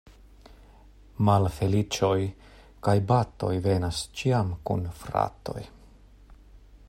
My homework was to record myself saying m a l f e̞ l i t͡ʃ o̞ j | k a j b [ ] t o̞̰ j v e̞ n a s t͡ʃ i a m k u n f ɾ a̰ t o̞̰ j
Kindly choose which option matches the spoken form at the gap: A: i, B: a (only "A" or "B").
B